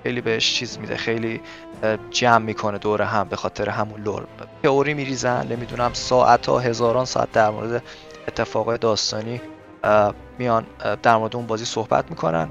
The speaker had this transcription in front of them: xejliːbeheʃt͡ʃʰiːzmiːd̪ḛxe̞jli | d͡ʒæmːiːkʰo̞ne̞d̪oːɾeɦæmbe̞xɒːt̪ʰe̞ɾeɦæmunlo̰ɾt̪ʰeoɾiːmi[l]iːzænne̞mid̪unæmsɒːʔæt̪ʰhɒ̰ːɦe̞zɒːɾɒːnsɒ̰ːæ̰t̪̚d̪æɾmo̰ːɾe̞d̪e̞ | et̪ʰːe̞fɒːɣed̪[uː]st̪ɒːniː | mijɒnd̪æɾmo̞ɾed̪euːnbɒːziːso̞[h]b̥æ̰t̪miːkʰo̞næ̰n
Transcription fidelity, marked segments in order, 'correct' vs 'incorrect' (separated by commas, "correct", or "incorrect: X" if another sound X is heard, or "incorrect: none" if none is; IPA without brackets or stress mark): incorrect: ɾ, incorrect: ɒː, correct